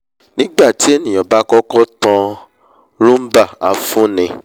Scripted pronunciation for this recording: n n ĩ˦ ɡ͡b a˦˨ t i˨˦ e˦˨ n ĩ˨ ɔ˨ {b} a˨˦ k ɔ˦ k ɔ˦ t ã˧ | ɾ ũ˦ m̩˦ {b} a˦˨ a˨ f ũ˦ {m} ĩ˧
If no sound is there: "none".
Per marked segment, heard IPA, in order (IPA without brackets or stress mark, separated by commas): b, b, n